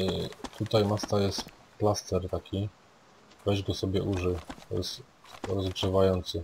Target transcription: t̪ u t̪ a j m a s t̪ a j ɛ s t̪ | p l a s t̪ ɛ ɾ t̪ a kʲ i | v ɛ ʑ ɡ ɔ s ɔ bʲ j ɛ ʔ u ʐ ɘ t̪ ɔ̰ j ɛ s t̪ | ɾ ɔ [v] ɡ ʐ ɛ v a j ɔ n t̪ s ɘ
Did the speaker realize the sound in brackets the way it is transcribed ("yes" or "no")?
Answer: no